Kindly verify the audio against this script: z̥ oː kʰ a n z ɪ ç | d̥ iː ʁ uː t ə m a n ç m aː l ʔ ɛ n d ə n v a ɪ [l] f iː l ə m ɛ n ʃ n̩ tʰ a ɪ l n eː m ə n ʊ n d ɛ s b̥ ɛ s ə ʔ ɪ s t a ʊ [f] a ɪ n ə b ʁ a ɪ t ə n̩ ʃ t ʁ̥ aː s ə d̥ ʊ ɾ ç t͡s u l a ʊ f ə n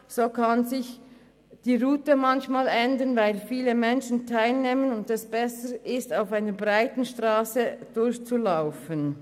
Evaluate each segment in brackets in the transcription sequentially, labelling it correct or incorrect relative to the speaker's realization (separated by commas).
correct, correct